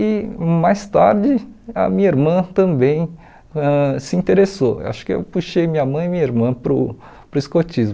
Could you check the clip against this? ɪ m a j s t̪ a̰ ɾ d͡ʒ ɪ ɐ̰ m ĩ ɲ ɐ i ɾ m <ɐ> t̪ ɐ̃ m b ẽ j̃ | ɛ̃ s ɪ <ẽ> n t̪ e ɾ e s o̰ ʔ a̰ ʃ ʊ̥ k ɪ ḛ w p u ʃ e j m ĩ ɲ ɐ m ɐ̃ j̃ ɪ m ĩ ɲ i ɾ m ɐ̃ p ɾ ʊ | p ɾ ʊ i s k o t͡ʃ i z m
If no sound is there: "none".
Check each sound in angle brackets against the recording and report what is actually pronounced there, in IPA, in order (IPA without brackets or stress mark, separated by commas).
ɐ̃, ĩ